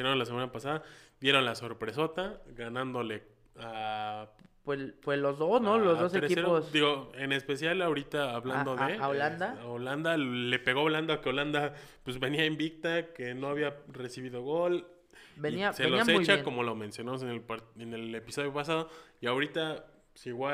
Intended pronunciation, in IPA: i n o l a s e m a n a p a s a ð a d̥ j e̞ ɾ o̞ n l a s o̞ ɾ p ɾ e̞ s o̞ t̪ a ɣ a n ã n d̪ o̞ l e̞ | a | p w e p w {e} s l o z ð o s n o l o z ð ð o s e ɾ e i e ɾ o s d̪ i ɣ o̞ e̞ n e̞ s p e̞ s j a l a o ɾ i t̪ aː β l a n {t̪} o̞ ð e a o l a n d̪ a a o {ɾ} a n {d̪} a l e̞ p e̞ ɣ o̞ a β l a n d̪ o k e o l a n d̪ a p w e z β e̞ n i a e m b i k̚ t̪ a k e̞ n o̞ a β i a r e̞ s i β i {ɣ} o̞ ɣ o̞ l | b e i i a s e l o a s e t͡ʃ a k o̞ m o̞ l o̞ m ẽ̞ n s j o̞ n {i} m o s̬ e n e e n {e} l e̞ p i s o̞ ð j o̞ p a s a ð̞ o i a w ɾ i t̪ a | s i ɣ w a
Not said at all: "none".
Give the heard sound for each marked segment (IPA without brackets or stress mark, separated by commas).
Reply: e, d̪, l, d̪, ð, a, e